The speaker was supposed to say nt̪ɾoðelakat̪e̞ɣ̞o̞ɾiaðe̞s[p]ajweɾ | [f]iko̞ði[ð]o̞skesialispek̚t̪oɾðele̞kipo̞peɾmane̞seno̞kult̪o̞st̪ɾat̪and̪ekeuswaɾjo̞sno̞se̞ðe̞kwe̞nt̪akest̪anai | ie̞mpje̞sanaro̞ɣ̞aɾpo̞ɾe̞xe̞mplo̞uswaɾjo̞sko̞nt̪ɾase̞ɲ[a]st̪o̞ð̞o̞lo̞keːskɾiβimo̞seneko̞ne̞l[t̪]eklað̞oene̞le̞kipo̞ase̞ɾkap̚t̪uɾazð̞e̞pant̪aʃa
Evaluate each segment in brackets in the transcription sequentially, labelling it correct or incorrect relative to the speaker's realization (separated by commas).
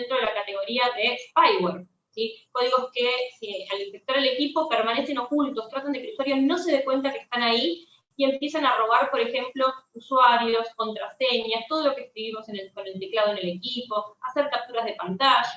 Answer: correct, incorrect, incorrect, correct, correct